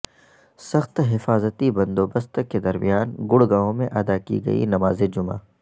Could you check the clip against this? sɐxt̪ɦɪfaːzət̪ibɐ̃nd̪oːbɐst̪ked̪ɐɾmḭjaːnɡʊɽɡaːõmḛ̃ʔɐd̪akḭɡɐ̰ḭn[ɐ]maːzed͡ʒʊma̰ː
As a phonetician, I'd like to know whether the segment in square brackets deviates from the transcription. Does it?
no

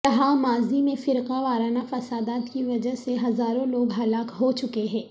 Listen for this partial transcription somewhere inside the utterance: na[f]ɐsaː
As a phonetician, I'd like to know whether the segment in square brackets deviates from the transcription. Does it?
no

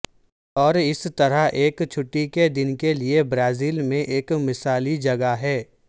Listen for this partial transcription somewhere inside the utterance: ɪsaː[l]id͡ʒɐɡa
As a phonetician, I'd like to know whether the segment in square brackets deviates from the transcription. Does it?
no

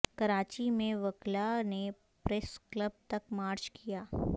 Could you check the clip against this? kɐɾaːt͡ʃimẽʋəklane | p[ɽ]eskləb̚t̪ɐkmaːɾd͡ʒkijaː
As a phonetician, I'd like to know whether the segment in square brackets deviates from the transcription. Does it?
yes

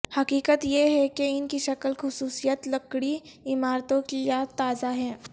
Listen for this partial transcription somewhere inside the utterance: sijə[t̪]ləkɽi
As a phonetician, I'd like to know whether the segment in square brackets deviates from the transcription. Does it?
no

